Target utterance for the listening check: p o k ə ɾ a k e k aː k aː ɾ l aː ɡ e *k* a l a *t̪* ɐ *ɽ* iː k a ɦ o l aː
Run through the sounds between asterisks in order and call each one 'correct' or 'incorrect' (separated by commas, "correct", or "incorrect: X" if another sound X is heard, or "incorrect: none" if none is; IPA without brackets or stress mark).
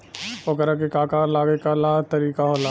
correct, correct, incorrect: ɾ